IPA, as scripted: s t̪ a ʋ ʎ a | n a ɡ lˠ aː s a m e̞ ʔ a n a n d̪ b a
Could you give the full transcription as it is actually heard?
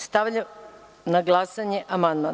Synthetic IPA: s t̪ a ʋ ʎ a | n a ɡ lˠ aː s a ɲ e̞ ʔ a m a n d̪ m a